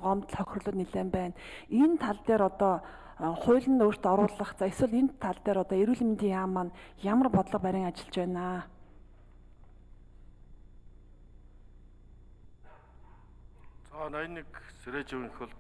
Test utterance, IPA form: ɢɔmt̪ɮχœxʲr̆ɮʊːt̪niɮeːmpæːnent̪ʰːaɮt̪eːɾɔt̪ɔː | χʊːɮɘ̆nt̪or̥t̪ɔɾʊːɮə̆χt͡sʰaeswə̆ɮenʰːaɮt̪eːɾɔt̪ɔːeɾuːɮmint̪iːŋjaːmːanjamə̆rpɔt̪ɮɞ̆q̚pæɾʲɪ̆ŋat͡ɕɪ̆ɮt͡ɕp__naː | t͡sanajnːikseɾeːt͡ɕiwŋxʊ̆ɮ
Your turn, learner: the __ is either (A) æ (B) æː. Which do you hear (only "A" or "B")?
B